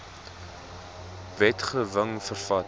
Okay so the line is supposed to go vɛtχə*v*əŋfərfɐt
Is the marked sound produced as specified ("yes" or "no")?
yes